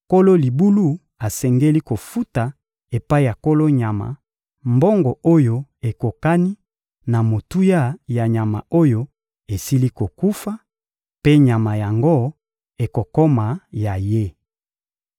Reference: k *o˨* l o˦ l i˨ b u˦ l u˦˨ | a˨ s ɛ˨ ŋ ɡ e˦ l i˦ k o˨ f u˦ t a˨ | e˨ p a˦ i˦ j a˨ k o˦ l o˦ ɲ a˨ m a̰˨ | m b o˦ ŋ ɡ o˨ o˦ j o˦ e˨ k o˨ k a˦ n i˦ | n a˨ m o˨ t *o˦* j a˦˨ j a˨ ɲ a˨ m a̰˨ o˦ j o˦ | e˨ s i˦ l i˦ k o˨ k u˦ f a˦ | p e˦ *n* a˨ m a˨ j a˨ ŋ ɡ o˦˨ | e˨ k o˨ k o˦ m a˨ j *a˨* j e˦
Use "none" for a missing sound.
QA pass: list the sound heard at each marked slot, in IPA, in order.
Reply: o˦, u˦, ɲ, a˨

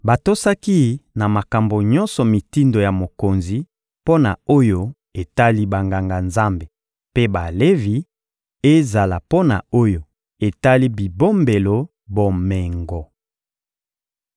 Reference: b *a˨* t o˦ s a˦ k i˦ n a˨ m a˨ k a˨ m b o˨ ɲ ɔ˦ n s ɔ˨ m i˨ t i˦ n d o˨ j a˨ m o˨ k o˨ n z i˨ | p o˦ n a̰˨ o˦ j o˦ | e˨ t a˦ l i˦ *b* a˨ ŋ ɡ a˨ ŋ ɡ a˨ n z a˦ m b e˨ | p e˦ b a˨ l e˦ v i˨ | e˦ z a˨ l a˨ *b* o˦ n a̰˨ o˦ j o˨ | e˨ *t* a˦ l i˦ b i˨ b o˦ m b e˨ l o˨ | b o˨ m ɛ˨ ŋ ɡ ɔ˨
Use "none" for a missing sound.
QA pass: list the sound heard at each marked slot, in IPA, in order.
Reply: a˨, b, p, t

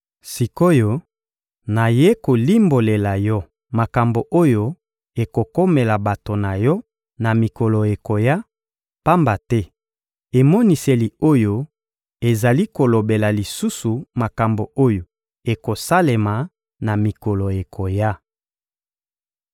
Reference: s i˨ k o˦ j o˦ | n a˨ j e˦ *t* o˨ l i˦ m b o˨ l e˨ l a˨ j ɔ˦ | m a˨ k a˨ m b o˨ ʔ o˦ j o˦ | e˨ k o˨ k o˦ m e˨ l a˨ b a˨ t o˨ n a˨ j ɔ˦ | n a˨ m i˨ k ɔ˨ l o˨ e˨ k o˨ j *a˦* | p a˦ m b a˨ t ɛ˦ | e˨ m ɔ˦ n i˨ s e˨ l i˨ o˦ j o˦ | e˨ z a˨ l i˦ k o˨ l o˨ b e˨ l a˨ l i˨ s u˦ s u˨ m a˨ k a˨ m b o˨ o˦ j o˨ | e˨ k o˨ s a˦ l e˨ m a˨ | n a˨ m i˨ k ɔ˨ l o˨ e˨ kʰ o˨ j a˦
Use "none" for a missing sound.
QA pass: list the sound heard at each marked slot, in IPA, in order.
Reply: k, a˦

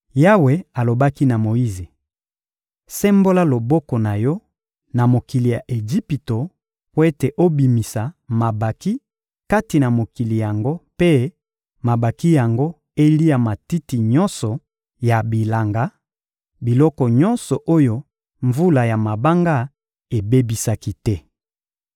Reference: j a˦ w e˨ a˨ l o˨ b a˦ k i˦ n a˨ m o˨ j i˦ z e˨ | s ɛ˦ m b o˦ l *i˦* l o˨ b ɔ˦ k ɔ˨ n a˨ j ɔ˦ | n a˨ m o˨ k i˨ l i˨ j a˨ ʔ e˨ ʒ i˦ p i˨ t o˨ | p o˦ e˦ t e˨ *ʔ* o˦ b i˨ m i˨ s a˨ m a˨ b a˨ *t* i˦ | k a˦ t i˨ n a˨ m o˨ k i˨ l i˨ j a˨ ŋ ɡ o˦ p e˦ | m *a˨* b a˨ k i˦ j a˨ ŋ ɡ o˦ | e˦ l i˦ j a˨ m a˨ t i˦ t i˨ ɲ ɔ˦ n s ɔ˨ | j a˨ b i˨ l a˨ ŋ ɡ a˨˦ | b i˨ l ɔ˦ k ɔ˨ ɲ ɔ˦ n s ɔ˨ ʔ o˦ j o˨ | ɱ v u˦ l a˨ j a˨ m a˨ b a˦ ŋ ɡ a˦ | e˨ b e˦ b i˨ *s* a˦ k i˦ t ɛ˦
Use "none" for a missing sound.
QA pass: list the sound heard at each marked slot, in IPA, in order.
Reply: a˦, ʔ, k, a˨, s

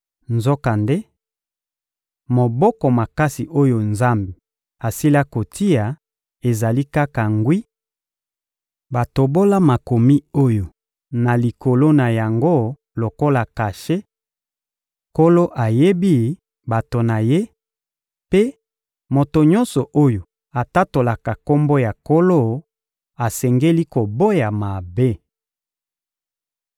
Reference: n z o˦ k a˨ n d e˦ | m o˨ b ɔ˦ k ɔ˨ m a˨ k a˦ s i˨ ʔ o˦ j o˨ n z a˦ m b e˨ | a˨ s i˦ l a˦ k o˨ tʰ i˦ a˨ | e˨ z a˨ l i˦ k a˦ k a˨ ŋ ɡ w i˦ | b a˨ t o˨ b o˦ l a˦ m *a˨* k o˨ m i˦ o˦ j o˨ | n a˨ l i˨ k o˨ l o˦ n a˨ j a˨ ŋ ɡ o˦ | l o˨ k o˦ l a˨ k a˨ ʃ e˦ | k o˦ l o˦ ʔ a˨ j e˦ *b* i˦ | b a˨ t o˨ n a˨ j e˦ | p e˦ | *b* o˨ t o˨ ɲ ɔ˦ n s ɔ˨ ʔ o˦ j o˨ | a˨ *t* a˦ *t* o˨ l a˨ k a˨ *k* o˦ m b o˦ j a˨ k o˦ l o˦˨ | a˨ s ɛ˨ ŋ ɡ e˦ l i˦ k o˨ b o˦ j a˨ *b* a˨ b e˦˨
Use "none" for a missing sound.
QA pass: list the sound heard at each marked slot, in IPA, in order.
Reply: a˨, b, m, t, t, k, m

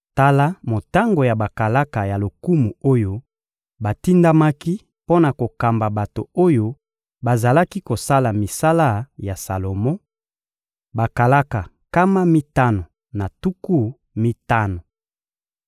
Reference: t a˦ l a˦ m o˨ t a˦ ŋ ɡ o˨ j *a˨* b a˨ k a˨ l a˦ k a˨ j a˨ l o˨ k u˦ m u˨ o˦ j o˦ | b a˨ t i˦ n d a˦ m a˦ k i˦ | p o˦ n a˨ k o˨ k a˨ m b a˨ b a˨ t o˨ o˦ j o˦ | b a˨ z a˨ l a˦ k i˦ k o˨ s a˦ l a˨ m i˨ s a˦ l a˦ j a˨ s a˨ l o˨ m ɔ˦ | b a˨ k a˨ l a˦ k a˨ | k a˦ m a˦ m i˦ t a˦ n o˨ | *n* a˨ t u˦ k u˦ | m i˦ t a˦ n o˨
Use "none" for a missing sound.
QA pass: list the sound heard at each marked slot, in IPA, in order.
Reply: a˨, n

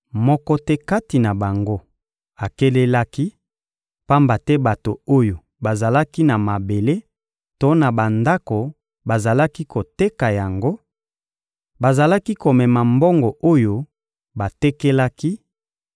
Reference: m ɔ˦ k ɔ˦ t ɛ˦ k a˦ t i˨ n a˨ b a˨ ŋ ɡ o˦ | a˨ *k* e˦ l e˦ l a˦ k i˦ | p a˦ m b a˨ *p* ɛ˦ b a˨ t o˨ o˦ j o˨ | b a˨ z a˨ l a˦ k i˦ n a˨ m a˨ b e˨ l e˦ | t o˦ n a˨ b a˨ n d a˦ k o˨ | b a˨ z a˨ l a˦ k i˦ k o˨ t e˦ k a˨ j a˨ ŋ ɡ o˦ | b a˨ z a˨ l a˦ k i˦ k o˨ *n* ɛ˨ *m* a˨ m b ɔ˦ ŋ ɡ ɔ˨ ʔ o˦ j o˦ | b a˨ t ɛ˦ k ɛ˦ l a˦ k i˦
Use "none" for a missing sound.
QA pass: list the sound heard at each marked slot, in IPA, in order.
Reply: k, t, m, m

